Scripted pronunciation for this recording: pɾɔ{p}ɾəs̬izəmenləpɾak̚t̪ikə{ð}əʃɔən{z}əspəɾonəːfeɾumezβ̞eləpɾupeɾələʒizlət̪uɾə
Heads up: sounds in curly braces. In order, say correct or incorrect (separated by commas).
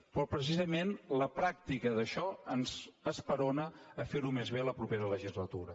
correct, correct, correct